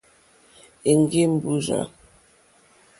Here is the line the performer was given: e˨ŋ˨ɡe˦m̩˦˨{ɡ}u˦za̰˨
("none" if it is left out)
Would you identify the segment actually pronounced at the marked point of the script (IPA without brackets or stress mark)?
b